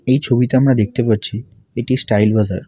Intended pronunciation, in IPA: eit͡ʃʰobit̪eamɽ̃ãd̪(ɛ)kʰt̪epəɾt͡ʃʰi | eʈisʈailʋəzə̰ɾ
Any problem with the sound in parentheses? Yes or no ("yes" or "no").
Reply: yes